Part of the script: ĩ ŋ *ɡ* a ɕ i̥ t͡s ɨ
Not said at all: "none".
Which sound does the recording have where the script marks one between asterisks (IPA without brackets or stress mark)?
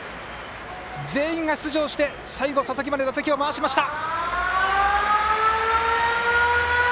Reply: ɡ